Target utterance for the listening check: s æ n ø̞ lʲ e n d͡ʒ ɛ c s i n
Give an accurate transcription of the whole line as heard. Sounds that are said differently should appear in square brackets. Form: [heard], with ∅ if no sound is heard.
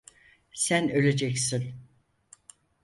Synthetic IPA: s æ n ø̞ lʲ e [∅] d͡ʒ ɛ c s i n